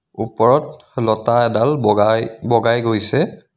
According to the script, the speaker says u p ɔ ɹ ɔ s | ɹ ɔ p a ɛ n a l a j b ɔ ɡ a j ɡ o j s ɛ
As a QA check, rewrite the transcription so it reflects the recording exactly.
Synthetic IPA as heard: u p ɔ ɹ ɔ t | l ɔ t a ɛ d a l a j b ɔ ɡ a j ɡ o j s ɛ